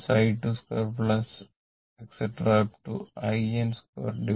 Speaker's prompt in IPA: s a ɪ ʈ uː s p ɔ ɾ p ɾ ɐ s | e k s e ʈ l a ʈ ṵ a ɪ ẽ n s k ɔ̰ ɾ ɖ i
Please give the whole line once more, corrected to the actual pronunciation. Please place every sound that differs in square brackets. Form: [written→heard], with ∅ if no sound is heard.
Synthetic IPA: s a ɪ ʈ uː s [p→k] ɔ ɾ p [ɾ→l] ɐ s | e k s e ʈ [l→ɾ] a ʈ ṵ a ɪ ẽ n s k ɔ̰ ɾ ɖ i

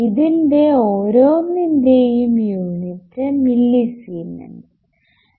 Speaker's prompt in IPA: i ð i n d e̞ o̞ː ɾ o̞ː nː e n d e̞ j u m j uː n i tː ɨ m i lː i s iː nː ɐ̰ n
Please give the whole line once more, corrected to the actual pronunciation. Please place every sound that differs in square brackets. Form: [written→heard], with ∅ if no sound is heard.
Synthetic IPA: i ð i n d e̞ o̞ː ɾ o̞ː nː [e→i] n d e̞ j u m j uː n i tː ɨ m i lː i s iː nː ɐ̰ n

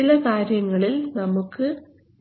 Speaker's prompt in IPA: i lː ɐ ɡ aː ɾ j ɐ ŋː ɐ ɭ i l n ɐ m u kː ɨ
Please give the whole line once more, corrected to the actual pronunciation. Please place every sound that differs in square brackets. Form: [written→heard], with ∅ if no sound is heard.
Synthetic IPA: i [lː→l] ɐ [ɡ→k] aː ɾ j ɐ ŋː ɐ ɭ i l n ɐ m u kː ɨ

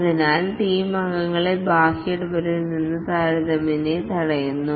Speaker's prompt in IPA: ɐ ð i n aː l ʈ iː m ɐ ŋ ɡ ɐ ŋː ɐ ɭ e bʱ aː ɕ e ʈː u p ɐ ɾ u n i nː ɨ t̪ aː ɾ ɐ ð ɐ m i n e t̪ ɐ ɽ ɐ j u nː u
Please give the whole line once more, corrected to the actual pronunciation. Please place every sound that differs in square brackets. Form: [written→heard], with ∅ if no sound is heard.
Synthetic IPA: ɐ ð i n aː l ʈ iː m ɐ ŋ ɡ ɐ ŋː ɐ ɭ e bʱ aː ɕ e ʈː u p ɐ ɾ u n i nː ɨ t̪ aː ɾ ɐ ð ɐ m i n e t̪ ɐ ɽ ɐ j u nː u

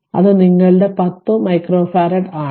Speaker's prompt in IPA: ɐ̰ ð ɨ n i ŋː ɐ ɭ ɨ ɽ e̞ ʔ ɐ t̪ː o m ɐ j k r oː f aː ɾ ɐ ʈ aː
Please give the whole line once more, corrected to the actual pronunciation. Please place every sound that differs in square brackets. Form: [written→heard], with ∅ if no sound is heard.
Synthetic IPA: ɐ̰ ð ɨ n i ŋː ɐ ɭ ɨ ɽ e̞ [ʔ→p] ɐ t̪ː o m ɐ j k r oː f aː ɾ ɐ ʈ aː

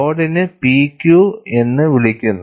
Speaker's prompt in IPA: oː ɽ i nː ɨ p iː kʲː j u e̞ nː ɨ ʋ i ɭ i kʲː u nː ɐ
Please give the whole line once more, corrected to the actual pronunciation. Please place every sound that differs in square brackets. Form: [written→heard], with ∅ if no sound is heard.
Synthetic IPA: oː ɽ i [nː→n] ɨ p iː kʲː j u e̞ nː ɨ ʋ i ɭ i kʲː u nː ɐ

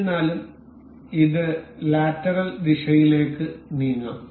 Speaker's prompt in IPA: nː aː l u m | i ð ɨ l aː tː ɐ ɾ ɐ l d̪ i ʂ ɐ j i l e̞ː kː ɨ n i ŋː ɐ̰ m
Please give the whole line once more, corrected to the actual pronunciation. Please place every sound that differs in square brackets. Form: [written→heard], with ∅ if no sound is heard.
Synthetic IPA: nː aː l u m | i ð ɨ l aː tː ɐ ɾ ɐ l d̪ i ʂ ɐ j i l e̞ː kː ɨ n [i→iː] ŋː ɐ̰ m

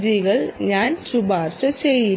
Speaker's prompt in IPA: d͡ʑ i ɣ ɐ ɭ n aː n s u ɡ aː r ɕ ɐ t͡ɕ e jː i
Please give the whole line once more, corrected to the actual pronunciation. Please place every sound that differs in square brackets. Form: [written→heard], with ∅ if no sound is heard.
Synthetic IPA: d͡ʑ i ɣ ɐ ɭ [n→ɲ] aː n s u [ɡ→b] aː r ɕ ɐ t͡ɕ e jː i

